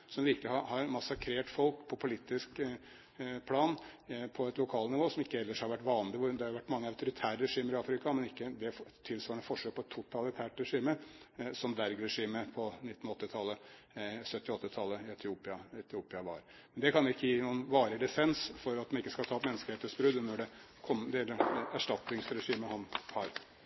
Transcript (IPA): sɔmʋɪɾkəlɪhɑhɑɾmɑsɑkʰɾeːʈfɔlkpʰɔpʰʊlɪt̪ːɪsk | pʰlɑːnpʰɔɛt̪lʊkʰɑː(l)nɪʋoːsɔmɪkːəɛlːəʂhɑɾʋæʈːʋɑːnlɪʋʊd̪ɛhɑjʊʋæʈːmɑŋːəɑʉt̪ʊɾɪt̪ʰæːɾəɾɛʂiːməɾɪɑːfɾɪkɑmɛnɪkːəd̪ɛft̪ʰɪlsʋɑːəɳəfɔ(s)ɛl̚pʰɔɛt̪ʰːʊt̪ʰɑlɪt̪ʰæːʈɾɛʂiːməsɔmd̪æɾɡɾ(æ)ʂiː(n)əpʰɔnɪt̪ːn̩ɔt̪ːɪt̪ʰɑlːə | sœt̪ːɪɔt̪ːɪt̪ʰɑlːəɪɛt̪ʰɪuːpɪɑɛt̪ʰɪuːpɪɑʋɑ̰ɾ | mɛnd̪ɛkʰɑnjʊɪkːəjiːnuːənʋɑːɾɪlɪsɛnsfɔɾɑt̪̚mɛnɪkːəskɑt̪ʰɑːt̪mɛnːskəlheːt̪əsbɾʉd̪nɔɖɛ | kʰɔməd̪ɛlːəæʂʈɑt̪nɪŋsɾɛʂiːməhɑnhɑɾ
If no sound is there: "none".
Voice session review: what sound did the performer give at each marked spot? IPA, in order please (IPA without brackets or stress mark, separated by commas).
l, ʂ, ɛ, m